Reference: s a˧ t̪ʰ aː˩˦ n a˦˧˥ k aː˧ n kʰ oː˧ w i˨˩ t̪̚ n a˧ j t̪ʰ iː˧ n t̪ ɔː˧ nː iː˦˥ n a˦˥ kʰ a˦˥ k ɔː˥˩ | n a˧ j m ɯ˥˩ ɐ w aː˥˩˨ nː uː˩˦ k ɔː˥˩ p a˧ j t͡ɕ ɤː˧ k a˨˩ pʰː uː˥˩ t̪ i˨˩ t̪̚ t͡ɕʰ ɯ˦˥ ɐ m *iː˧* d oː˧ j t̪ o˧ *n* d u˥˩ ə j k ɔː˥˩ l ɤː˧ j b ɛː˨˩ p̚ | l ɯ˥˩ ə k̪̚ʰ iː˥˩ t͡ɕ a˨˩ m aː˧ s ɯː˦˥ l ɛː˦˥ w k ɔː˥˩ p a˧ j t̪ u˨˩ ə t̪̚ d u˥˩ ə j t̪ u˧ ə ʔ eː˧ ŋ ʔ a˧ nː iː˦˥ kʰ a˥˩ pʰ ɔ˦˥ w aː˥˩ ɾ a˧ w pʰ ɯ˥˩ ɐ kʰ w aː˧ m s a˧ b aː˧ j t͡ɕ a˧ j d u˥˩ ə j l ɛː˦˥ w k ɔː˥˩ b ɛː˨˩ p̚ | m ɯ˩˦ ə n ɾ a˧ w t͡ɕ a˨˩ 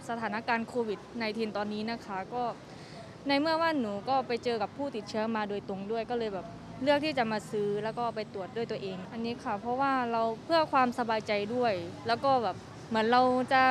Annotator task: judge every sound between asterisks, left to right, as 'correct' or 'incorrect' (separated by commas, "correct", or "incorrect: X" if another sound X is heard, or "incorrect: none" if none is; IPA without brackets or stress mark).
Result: incorrect: aː˧, incorrect: ŋ